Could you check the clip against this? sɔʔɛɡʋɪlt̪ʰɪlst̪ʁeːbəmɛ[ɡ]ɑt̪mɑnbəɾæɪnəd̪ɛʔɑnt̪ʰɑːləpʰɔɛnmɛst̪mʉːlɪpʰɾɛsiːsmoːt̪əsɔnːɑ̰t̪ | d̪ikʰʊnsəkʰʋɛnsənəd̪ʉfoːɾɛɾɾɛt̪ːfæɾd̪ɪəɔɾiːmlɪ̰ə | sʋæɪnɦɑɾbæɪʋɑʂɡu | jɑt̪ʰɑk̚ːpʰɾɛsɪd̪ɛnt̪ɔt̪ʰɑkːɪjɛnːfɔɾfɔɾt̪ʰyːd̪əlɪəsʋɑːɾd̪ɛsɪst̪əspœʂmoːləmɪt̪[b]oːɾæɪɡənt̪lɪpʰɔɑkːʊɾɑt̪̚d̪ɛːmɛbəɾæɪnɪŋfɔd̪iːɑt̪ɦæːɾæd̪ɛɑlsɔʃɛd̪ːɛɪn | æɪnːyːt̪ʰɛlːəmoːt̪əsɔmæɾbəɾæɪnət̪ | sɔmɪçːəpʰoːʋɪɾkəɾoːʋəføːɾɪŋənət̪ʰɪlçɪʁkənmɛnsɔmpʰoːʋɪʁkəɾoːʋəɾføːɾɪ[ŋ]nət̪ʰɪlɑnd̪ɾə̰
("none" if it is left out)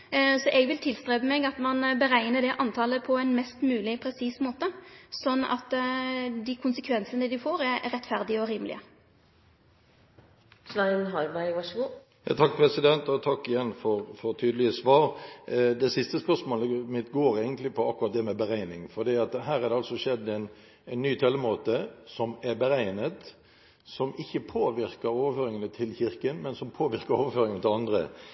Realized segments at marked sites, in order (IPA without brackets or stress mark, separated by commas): ɡ, ɡ, ŋ